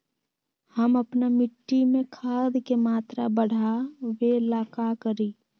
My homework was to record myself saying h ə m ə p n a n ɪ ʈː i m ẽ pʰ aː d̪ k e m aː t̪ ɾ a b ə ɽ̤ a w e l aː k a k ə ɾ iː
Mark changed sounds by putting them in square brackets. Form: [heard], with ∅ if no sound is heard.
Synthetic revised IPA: h ə m ə p n a [m] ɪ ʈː i m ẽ [kʰ] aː d̪ k e m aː t̪ ɾ a b ə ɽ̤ a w e l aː k a k ə ɾ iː